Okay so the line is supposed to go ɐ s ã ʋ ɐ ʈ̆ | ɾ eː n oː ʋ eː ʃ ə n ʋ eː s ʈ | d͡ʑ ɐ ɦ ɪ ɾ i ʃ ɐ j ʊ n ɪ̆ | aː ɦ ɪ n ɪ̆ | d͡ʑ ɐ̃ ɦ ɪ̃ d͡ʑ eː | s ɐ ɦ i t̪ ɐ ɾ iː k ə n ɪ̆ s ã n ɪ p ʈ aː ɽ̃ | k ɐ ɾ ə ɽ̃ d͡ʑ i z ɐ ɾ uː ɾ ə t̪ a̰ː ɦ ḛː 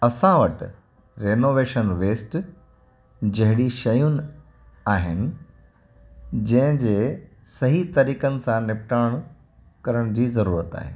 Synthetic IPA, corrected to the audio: ɐ s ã ʋ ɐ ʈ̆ | ɾ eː n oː ʋ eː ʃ ə n ʋ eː s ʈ | d͡ʑ ɐ ɦ ɪ ɽ i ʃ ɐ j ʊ n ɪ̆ | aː ɦ ɪ n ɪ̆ | d͡ʑ ɐ̃ ɦ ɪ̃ d͡ʑ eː | s ɐ ɦ i t̪ ɐ ɾ iː k ə n ɪ̆ s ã n ɪ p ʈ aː ɽ̃ | k ɐ ɾ ə ɽ̃ d͡ʑ iː z ɐ ɾ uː ɾ ə t̪ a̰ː ɦ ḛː